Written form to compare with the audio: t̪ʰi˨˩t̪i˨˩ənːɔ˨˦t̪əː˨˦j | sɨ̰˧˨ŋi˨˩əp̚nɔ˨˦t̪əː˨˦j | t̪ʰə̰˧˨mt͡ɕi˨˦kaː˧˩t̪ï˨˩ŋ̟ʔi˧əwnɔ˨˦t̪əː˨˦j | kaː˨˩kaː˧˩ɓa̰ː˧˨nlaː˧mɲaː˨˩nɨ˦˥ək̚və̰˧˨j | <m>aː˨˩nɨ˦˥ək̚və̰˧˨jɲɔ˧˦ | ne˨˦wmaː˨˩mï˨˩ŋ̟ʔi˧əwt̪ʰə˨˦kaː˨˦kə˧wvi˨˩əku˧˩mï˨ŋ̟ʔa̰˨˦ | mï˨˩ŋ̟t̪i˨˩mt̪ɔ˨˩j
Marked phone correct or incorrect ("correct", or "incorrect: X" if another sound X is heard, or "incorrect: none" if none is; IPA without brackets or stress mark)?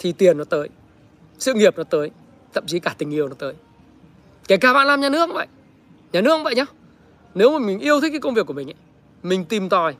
incorrect: ɲ